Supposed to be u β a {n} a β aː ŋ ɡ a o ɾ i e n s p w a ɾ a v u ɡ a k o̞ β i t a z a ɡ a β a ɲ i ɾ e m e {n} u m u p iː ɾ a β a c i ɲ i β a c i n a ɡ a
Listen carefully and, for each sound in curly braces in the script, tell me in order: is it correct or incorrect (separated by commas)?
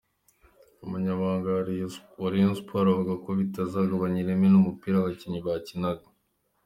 incorrect, correct